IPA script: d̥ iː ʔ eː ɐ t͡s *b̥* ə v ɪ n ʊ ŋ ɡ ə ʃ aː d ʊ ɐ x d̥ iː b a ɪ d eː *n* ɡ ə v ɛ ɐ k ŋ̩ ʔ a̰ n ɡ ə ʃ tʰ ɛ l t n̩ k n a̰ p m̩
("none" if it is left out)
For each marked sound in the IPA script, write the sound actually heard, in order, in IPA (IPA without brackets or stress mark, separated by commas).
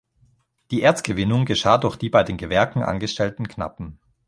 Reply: ɡ̥, n